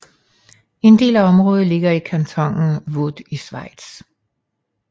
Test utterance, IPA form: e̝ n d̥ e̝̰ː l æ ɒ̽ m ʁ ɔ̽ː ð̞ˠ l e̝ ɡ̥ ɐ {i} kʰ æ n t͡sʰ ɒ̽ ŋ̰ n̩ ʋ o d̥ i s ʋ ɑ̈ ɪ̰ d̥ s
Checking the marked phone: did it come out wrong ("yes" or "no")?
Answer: no